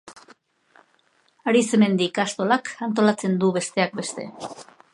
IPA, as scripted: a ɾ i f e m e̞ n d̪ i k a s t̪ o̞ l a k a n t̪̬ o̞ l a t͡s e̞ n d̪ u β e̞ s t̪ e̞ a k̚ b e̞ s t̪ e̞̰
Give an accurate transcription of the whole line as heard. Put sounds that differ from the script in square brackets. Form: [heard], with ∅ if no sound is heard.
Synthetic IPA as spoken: a ɾ i [s] e m e̞ n d̪ i k a s t̪ o̞ l a k a n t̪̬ o̞ l a t͡s e̞ n d̪ u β e̞ s t̪ e̞ a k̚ b e̞ s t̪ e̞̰